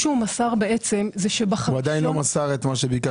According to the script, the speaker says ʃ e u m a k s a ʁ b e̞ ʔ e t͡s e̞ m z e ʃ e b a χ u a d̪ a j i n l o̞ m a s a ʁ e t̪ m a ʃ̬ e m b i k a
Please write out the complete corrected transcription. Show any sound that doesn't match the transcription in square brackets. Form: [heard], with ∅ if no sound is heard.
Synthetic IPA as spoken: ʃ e u m a [∅] s a ʁ b e̞ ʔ e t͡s e̞ m z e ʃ e b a χ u a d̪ a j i n l o̞ m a s a ʁ e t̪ m a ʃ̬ e [∅] b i k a